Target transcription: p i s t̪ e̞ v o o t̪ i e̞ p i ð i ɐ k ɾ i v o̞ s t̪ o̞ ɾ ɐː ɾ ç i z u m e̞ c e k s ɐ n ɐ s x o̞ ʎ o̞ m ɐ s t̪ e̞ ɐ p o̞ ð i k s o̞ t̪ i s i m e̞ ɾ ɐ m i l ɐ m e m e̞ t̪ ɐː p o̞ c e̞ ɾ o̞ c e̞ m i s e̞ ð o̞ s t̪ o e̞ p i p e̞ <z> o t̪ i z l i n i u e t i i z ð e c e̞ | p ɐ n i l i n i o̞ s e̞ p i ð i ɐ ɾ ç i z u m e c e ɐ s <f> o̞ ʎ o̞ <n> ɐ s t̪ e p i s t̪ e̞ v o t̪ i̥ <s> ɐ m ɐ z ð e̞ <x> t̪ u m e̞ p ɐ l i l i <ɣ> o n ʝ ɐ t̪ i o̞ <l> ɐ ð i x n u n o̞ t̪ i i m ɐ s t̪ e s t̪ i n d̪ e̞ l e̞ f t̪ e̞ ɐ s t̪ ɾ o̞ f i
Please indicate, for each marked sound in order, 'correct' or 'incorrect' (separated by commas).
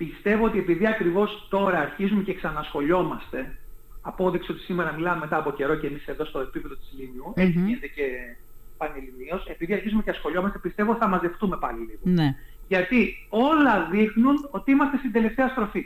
incorrect, incorrect, incorrect, incorrect, incorrect, correct, correct